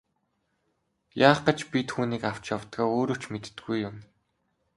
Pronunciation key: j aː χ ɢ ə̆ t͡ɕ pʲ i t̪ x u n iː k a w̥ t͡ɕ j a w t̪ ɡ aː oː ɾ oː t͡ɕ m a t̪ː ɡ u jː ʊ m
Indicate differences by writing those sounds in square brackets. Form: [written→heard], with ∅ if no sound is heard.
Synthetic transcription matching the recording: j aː χ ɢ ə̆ t͡ɕ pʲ i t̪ x [u→uː] n iː k a w̥ t͡ɕ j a w t̪ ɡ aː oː ɾ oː t͡ɕ m [a→e] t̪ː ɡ u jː ʊ m